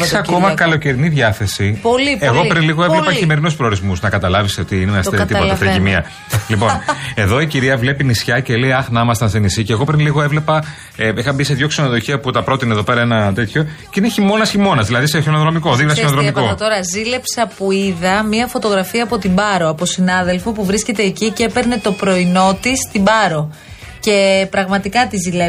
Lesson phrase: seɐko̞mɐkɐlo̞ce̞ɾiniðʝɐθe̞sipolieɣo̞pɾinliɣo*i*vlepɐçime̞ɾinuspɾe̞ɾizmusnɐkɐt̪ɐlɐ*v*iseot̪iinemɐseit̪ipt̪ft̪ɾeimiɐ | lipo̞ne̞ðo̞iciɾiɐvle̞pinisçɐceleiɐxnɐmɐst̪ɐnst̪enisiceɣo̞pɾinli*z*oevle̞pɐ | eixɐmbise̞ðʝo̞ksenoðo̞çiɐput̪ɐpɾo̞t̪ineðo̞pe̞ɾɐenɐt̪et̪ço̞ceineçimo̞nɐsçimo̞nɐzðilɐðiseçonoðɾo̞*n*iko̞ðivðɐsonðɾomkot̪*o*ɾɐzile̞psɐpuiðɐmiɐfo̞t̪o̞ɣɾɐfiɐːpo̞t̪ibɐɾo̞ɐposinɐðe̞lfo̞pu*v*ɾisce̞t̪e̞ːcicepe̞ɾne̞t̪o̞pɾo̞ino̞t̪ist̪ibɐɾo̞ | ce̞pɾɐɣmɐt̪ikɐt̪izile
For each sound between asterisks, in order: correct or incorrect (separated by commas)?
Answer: incorrect, correct, incorrect, incorrect, correct, correct